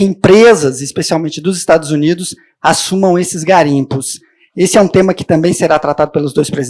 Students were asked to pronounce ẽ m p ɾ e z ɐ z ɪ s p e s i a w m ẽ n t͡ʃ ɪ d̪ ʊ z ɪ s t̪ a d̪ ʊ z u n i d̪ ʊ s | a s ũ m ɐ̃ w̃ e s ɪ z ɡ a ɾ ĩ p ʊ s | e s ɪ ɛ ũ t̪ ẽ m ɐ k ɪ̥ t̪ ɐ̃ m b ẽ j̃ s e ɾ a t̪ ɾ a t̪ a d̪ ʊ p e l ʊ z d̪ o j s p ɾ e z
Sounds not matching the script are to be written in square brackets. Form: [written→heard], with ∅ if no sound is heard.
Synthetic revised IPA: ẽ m p ɾ e z ɐ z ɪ s p e s i a w m ẽ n t͡ʃ ɪ d̪ ʊ z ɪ s t̪ a d̪ ʊ z u n i d̪ ʊ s | a s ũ m ɐ̃ w̃ e s ɪ z ɡ a ɾ ĩ p ʊ s | e s ɪ ɛ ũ t̪ ẽ m ɐ k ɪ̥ t̪ ɐ̃ m b ẽ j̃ s e ɾ a t̪ ɾ a t̪ a d̪ ʊ p e l ʊ z d̪ o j s p ɾ e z